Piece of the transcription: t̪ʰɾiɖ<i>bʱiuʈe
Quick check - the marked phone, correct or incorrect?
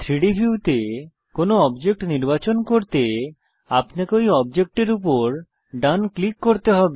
correct